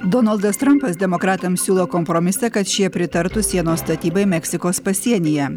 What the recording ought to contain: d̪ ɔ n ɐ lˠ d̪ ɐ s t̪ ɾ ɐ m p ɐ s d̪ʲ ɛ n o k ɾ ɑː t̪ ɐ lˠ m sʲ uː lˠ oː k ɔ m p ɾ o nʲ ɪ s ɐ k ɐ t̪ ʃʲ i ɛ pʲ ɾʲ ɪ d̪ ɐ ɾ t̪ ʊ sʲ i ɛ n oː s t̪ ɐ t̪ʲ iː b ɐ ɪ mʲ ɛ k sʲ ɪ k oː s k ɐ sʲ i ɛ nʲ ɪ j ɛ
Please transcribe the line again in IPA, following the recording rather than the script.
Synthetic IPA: d̪ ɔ n ɐ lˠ d̪ ɐ s t̪ ɾ ɐ m p ɐ s d̪ʲ ɛ m o k ɾ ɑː t̪ ɐ m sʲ uː lˠ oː k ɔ m p ɾ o mʲ ɪ s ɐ k ɐ t̪ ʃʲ i ɛ pʲ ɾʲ ɪ t̪ ɐ ɾ t̪ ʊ sʲ i ɛ n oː s t̪ ɐ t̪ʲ iː b ɐ ɪ mʲ ɛ k sʲ ɪ k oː s p ɐ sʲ i ɛ nʲ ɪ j ɛ